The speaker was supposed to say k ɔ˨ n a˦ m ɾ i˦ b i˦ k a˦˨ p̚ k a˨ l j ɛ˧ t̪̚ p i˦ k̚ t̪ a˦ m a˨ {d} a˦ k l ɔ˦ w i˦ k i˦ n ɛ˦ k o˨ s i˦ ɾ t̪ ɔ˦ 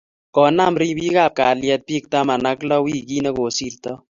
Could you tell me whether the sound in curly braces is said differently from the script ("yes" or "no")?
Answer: yes